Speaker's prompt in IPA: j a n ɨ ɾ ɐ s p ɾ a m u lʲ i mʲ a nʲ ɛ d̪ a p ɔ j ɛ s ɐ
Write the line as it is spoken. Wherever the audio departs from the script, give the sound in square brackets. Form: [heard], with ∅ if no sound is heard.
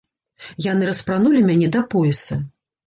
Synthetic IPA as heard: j a n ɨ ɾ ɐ s p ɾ a [n] u lʲ i mʲ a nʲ ɛ d̪ [ɐ] p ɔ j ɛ s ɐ